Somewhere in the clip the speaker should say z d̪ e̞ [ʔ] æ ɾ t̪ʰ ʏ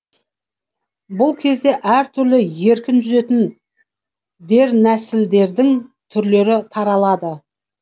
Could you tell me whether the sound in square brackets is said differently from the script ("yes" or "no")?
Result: no